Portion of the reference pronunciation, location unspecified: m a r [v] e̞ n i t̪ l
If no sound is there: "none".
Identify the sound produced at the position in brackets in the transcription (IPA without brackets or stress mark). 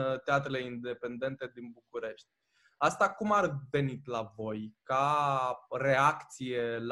v